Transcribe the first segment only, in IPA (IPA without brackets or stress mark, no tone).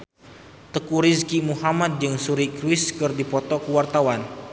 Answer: t̪